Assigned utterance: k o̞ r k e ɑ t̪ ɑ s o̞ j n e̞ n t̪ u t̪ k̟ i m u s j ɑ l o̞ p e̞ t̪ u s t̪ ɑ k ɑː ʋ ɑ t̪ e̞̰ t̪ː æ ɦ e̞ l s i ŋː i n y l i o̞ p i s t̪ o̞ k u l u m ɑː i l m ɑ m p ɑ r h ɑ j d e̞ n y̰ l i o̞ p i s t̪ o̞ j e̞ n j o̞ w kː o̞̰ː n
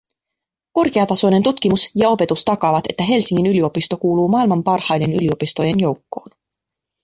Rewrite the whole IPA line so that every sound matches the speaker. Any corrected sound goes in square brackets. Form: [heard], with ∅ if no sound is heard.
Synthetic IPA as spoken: k o̞ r k e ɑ t̪ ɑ s o̞ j n e̞ n t̪ u t̪ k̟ i m u s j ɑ [∅] o̞ p e̞ t̪ u s t̪ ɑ k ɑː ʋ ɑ t̪ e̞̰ t̪ː æ ɦ e̞ l s i ŋː i n y l i o̞ p i s t̪ o̞ k [uː] l [uː] m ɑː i l m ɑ m p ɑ r h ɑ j d e̞ n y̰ l i o̞ p i s t̪ o̞ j e̞ n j o̞ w kː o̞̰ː n